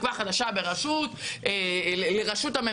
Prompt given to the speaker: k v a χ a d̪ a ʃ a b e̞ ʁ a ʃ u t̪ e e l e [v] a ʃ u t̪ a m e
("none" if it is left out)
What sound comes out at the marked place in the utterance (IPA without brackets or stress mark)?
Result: ʁ